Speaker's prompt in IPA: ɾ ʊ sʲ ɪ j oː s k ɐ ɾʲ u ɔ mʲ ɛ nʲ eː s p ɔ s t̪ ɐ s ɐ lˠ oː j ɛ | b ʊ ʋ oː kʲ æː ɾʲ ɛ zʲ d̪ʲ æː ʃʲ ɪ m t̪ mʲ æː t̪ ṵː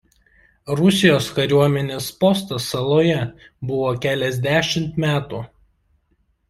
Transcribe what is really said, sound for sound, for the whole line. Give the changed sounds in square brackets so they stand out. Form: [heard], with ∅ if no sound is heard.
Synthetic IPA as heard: ɾ ʊ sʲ ɪ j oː s k ɐ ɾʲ u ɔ mʲ ɛ nʲ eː s p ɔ s t̪ ɐ s ɐ lˠ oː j ɛ | b ʊ ʋ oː kʲ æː [lʲ] ɛ zʲ d̪ʲ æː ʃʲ ɪ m t̪ mʲ æː t̪ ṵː